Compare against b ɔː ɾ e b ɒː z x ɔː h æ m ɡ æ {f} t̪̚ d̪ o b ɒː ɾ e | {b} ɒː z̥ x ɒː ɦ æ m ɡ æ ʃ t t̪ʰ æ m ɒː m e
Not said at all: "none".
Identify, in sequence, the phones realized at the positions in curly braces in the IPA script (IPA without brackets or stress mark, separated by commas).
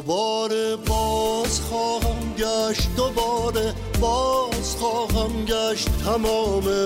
ʃ, b